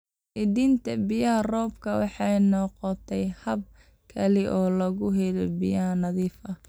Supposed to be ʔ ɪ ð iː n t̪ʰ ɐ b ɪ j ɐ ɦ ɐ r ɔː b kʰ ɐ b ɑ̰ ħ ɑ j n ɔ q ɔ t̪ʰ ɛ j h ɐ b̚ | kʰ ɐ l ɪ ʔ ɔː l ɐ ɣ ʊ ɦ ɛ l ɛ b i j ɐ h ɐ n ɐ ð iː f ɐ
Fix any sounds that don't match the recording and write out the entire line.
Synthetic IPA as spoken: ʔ ɪ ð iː n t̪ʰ ɐ b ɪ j ɐ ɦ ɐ r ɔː b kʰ ɐ w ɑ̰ ħ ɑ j n ɔ q ɔ t̪ʰ ɛ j h ɐ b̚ | kʰ ɐ l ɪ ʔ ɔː l ɐ ɣ ʊ ɦ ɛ l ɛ b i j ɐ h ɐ n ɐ ð iː f ɐ

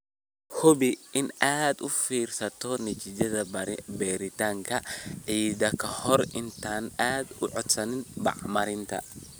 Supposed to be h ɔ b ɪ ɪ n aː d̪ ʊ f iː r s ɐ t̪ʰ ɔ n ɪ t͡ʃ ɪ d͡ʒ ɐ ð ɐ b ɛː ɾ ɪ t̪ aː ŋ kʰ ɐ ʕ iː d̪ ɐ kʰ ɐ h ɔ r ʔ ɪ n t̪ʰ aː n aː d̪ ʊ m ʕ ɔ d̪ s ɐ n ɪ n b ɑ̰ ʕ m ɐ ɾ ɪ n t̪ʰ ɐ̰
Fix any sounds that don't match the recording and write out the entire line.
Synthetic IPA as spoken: h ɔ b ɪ ɪ n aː d̪ ʊ f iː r s ɐ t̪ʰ ɔ n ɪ t͡ʃ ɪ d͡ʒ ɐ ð ɐ b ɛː ɾ ɪ t̪ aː ŋ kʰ ɐ ʕ iː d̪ ɐ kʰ ɐ h ɔ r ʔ ɪ n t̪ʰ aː n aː d̪ ʊ ʕ ɔ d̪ s ɐ n ɪ n b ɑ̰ ʕ m ɐ ɾ ɪ n t̪ʰ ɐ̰

